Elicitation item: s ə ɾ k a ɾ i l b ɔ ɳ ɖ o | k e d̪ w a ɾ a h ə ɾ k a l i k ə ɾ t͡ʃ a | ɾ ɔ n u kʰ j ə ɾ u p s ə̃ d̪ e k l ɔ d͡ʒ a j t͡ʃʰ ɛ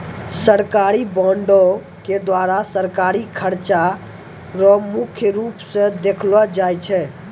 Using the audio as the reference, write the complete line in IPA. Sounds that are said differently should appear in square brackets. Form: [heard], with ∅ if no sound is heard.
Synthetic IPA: s ə ɾ k a ɾ i [∅] b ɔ ɳ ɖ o | k e d̪ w a ɾ a [s] ə ɾ k a [ɾ] i [kʰ] ə ɾ t͡ʃ a | ɾ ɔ [m] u kʰ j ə ɾ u p s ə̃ d̪ e [kʰ] l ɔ d͡ʒ a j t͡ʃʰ ɛ